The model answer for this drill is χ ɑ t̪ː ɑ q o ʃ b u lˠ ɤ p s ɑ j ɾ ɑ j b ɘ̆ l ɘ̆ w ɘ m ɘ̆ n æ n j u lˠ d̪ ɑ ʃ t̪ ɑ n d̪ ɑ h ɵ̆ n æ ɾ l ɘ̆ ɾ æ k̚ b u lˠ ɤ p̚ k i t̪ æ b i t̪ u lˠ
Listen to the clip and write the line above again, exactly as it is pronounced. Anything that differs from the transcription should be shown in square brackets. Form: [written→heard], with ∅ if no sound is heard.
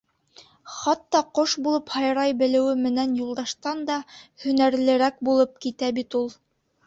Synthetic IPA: χ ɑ t̪ː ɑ q o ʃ b u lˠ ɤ p [s→h] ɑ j ɾ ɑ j b ɘ̆ l ɘ̆ w ɘ m ɘ̆ n æ n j u lˠ d̪ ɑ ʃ t̪ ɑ n d̪ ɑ h ɵ̆ n æ ɾ l ɘ̆ ɾ æ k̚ b u lˠ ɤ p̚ k i t̪ æ b i t̪ u lˠ